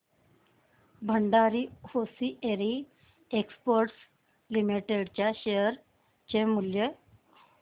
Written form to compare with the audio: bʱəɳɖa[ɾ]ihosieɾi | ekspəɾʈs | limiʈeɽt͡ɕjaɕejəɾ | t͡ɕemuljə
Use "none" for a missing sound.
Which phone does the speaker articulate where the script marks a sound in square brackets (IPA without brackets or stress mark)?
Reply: ɾ